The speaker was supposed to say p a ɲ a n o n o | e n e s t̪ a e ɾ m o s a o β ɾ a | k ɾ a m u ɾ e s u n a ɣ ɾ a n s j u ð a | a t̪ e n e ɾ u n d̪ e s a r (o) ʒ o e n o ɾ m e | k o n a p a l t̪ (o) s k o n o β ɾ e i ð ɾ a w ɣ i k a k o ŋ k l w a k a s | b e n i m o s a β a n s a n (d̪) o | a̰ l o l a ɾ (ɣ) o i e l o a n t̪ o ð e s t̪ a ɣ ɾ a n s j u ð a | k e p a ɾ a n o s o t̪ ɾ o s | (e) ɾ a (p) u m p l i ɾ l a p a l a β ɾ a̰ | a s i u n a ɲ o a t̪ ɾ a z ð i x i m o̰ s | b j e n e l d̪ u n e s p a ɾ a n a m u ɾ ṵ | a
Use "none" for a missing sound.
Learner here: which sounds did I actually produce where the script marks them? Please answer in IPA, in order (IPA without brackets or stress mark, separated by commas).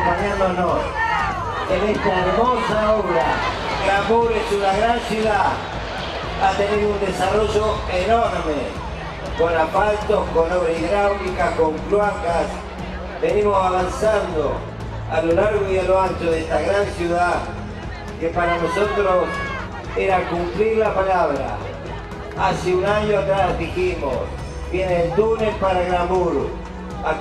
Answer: o, o, d̪, ɣ, e, k